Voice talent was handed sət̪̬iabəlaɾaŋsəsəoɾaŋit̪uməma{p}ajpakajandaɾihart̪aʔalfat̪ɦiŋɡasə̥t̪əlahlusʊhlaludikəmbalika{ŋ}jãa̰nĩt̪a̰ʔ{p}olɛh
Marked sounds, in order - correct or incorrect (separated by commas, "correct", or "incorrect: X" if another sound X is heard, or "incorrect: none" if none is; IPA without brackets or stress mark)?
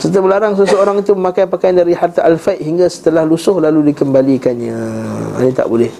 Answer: incorrect: k, incorrect: n, incorrect: b